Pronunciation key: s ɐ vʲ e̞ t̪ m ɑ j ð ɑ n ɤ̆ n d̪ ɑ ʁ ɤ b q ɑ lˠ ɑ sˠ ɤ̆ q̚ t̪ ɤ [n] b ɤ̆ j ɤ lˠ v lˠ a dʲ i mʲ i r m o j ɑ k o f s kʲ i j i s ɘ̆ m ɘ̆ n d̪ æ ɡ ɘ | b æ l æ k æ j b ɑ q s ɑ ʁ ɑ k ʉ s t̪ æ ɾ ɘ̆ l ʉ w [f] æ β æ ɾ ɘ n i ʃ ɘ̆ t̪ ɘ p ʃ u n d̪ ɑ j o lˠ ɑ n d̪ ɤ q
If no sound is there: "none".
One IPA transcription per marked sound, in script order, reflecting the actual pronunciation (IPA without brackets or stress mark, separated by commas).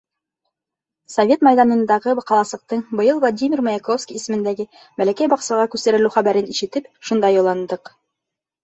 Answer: ɴ, χ